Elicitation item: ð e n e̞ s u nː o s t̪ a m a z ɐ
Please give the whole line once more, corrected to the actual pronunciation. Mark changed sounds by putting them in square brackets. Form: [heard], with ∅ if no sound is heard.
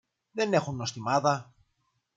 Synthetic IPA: ð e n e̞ [x] u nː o s t̪ [i] m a [ð] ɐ